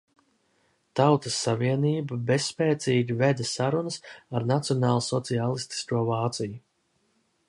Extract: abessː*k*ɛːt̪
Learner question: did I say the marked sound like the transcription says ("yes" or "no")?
no